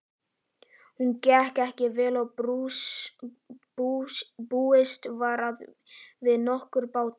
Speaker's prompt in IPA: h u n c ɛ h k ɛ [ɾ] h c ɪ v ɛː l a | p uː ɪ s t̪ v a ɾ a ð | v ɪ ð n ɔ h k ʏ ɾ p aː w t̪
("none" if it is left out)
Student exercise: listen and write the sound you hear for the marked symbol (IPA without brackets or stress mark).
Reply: none